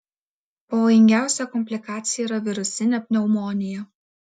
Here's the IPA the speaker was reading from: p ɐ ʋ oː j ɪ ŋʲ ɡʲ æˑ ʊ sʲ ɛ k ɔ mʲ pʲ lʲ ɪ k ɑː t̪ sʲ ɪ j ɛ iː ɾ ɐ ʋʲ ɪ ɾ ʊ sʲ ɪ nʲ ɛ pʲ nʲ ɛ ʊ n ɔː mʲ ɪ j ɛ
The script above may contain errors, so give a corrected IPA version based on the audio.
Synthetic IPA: p ɐ ʋ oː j ɪ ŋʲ ɡʲ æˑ ʊ sʲ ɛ k ɔ mʲ pʲ lʲ ɪ k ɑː t̪ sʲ ɪ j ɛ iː ɾ ɐ ʋʲ ɪ ɾ ʊ sʲ ɪ nʲ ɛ pʲ nʲ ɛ ʊ m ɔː nʲ ɪ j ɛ

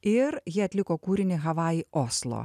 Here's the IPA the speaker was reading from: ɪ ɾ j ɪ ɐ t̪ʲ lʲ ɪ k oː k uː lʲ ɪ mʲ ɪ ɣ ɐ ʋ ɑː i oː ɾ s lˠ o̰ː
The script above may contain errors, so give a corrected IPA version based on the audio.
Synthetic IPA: ɪ ɾ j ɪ ɐ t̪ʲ lʲ ɪ k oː k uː ɾʲ ɪ nʲ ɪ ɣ ɐ ʋ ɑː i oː s lˠ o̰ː

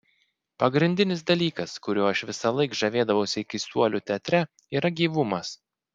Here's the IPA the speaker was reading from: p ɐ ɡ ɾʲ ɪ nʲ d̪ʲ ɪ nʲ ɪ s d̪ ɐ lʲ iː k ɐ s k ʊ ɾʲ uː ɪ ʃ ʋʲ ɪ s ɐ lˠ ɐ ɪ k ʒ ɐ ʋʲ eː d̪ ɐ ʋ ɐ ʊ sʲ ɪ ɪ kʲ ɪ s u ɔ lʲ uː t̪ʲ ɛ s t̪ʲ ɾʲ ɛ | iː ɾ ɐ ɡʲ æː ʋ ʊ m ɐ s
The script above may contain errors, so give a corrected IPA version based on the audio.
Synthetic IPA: p ɐ ɡ ɾʲ ɪ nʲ d̪ʲ ɪ nʲ ɪ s d̪ ɐ lʲ iː k ɐ s k ʊ ɾʲ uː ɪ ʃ ʋʲ ɪ s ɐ lˠ ɐ ɪ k ʒ ɐ ʋʲ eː d̪ ɐ ʋ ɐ ʊ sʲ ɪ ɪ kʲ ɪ s u ɔ lʲ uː t̪ʲ ɛ t̪ʲ ɾʲ ɛ | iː ɾ ɐ ɡʲ iː ʋ ʊ m ɐ s

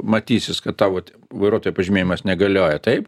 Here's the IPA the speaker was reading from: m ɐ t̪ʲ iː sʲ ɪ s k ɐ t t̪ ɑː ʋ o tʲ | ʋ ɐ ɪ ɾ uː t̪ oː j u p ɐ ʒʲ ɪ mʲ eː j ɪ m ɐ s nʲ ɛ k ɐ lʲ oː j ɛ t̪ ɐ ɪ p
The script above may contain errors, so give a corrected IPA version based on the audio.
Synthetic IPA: m ɐ t̪ʲ iː sʲ ɪ s k ɐ t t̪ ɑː ʋ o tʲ | ʋ ɐ ɪ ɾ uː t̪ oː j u p ɐ ʒʲ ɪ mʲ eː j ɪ m ɐ s nʲ ɛ ɡ ɐ lʲ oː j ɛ t̪ ɐ ɪ p

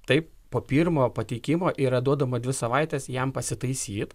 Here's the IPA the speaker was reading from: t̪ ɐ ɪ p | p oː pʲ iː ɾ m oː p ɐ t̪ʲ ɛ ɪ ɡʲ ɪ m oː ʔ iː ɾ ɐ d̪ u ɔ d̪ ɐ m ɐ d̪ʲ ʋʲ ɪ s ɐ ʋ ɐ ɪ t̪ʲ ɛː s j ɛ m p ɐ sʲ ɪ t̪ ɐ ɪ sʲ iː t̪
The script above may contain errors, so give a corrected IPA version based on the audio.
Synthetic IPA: t̪ ɐ ɪ p | p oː pʲ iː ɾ m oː p ɐ t̪ʲ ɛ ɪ kʲ ɪ m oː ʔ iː ɾ ɐ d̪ u ɔ d̪ ɐ m ɐ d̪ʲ ʋʲ ɪ s ɐ ʋ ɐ ɪ t̪ʲ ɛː s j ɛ m p ɐ sʲ ɪ t̪ ɐ ɪ sʲ iː t̪

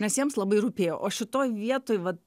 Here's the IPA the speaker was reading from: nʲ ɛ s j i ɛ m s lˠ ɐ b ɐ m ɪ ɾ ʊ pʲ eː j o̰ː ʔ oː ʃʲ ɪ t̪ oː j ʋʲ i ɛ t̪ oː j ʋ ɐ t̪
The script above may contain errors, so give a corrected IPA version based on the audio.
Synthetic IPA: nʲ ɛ s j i ɛ m s lˠ ɐ b ɐ ɪ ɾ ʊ pʲ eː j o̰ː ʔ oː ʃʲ ɪ t̪ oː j ʋʲ i ɛ t̪ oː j ʋ ɐ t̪

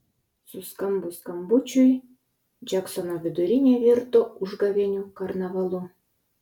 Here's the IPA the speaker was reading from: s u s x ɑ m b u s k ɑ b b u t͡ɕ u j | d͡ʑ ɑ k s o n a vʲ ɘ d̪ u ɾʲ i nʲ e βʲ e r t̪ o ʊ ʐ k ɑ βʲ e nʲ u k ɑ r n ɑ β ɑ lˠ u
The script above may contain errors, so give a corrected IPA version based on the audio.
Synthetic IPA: s u s k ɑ m b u s k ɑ m b u t͡ɕ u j | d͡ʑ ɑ k s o n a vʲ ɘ d̪ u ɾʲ i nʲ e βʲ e r t̪ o u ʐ ɡ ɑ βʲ e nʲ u k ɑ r n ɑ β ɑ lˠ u

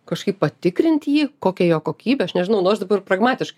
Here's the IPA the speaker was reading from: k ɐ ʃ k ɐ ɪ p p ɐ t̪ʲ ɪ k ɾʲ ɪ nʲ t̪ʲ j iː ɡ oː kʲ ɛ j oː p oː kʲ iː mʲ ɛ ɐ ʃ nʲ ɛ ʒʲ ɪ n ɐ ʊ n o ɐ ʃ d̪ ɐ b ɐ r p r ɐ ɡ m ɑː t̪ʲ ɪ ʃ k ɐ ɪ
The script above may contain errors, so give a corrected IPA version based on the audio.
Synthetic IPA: k ɐ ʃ k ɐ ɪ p p ɐ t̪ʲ ɪ k ɾʲ ɪ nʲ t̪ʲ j iː k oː kʲ ɛ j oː k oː kʲ iː bʲ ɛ ɐ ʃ nʲ ɛ ʒʲ ɪ n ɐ ʊ n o ɐ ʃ d̪ ɐ b ɐ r p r ɐ ɡ m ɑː t̪ʲ ɪ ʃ k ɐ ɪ

